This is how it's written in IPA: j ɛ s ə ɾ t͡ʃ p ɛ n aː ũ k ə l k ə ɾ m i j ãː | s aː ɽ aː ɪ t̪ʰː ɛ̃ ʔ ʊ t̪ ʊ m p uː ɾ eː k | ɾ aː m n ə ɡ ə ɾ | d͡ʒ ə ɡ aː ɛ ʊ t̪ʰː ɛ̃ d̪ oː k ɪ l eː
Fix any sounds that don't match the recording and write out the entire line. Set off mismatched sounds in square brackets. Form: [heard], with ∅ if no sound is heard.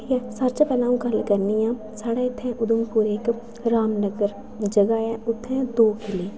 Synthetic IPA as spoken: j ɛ s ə ɾ t͡ʃ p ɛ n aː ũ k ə l k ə ɾ [n] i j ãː | s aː ɽ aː ɪ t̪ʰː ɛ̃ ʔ ʊ [d̪] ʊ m p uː ɾ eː k | ɾ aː m n ə ɡ ə ɾ | d͡ʒ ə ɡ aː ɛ ʊ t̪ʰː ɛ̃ d̪ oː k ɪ l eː